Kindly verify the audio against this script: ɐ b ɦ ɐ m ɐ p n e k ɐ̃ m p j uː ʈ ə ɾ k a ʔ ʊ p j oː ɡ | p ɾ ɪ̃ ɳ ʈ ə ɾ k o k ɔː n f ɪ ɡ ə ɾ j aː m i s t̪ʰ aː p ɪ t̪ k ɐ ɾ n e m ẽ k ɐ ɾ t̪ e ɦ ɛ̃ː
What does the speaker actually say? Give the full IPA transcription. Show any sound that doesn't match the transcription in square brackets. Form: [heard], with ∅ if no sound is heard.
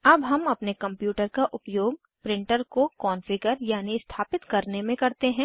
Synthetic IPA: ɐ b ɦ ɐ m ɐ p n e k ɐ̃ m p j uː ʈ ə ɾ k a ʔ ʊ p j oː ɡ | p ɾ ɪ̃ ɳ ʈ ə ɾ k o k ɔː n f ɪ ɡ ə ɾ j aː [n] i s t̪ʰ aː p ɪ t̪ k ɐ ɾ n e m ẽ k ɐ ɾ t̪ e ɦ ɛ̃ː